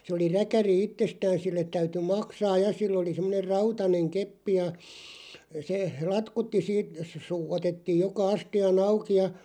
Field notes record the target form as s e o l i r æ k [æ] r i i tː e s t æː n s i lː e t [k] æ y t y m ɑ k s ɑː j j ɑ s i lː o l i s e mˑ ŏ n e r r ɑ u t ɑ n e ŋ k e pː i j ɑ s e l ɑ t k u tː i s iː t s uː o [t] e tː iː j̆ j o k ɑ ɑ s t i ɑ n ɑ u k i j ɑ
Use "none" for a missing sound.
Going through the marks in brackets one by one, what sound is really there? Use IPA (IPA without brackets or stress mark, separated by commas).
æ, t, t